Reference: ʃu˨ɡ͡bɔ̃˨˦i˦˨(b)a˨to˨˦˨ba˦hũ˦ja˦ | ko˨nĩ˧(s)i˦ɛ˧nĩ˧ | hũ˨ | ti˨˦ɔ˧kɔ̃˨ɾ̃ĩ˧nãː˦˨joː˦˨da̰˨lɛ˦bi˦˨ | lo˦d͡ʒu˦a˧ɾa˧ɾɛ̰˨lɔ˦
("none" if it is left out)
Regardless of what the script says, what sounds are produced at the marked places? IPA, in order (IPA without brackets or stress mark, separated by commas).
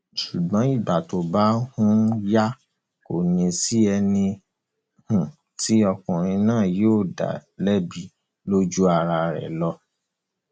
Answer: b, s